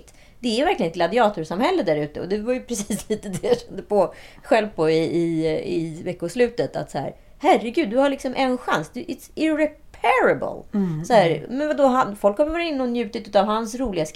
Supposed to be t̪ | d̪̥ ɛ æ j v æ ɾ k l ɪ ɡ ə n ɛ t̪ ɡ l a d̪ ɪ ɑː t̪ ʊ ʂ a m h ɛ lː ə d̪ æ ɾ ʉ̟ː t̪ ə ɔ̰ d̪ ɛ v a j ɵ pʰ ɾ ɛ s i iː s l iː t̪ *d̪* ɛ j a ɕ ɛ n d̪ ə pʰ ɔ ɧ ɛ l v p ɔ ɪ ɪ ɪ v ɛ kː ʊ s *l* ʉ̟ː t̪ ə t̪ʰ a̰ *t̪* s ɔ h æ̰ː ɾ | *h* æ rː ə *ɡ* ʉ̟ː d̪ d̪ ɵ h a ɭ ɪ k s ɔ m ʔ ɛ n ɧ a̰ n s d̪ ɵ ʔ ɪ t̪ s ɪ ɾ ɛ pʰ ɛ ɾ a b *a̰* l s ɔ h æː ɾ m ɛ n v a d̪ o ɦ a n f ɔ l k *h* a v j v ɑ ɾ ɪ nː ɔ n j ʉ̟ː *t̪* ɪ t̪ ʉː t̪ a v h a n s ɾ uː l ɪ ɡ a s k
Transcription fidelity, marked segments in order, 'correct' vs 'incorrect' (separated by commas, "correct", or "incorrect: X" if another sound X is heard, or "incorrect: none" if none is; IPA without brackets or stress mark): correct, correct, correct, correct, correct, incorrect: ə̰, correct, correct